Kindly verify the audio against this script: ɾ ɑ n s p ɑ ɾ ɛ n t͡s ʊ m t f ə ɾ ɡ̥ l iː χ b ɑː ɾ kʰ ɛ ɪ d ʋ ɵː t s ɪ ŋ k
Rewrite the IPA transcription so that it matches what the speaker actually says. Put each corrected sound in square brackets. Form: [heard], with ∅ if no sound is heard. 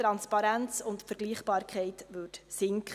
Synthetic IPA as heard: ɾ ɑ n s p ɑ ɾ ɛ n t͡s ʊ [n] t f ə ɾ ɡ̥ l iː χ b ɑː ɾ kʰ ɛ ɪ [t] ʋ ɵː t s ɪ ŋ k